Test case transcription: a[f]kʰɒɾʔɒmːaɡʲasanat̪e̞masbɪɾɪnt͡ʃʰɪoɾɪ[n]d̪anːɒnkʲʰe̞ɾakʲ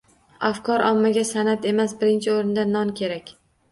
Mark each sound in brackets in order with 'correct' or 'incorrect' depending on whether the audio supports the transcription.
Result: correct, correct

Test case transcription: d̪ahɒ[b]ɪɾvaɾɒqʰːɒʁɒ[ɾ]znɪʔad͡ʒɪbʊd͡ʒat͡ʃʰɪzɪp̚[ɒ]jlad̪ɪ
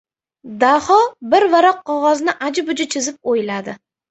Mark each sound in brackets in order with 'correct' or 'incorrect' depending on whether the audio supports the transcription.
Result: correct, incorrect, incorrect

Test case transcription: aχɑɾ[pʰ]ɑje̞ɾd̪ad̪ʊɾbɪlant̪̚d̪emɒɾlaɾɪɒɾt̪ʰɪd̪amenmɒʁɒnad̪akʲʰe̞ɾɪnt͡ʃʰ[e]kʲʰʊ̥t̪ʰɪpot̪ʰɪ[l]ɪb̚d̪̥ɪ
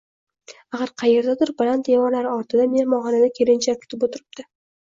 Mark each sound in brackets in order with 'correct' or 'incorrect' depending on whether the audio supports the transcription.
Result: incorrect, incorrect, incorrect

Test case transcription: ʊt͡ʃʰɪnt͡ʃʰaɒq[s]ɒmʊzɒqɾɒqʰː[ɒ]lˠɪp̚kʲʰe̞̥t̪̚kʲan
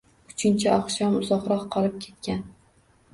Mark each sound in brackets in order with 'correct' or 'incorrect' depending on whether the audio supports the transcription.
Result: incorrect, correct

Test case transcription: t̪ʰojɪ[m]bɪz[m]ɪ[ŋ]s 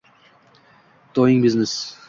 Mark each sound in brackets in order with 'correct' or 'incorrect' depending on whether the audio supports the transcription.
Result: incorrect, incorrect, incorrect

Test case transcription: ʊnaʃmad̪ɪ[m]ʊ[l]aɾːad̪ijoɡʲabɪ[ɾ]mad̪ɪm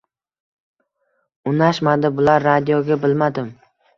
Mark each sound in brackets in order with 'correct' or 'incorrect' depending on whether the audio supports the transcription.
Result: incorrect, correct, incorrect

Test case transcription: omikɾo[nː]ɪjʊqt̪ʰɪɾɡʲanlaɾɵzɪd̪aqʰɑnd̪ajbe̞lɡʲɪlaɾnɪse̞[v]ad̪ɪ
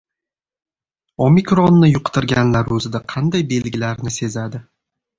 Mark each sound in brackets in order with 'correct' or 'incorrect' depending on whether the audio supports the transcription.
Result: correct, incorrect

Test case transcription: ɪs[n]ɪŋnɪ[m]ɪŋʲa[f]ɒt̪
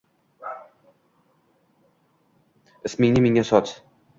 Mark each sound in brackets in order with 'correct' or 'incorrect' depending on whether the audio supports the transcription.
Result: incorrect, correct, incorrect

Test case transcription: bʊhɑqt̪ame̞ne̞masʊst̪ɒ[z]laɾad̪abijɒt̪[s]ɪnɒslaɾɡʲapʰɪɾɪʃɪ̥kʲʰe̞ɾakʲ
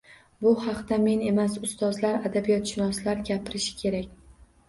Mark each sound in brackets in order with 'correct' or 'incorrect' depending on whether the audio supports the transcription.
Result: correct, incorrect

